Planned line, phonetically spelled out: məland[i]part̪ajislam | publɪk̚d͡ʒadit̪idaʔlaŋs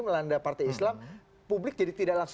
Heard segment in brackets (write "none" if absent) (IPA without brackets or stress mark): a